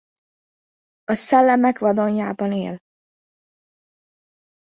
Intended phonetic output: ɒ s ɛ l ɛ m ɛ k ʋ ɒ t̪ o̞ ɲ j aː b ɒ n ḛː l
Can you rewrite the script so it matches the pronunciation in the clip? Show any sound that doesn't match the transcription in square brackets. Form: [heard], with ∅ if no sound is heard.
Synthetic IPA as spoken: ɒ s ɛ [lː] ɛ m ɛ k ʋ ɒ [d̪] o̞ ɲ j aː b ɒ n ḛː l